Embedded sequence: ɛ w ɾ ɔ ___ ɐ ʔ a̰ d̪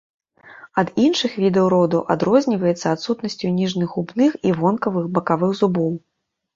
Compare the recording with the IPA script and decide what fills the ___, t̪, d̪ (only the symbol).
d̪